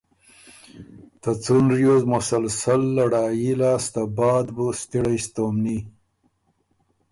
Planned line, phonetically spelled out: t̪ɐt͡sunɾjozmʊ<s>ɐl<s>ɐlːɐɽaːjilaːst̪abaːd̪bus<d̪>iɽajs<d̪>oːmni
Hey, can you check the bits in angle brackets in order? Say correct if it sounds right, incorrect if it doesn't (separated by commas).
correct, correct, incorrect, incorrect